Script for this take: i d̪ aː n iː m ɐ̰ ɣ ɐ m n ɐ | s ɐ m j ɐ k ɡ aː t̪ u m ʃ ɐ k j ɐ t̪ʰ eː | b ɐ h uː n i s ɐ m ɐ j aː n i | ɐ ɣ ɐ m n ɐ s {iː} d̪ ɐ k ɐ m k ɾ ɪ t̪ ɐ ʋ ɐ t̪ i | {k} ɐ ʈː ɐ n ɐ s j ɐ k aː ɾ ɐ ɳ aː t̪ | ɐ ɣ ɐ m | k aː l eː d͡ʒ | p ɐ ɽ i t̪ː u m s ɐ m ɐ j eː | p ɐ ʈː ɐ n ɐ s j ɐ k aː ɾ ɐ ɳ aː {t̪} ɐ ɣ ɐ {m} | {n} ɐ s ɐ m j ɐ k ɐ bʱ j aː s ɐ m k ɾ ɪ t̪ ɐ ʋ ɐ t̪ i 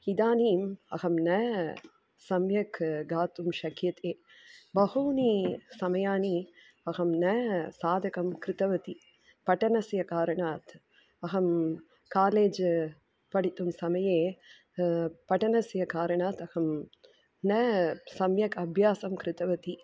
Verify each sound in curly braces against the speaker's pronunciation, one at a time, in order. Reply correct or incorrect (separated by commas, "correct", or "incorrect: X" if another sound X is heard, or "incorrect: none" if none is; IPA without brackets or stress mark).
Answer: incorrect: aː, incorrect: p, correct, correct, correct